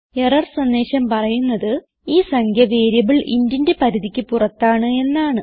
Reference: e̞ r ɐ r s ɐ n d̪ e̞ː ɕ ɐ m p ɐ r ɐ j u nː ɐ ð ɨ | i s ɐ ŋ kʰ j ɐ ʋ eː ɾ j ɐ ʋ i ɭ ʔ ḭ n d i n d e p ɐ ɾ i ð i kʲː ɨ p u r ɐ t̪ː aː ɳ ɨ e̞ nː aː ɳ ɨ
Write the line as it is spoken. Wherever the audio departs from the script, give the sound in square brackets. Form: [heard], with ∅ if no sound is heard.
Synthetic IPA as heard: e̞ r ɐ r s ɐ n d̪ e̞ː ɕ ɐ m p ɐ r ɐ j u nː ɐ ð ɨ | [iː] s ɐ ŋ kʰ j ɐ ʋ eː ɾ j ɐ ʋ i ɭ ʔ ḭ n d i n d e p ɐ ɾ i ð i kʲː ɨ p u r ɐ t̪ː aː ɳ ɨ e̞ nː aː ɳ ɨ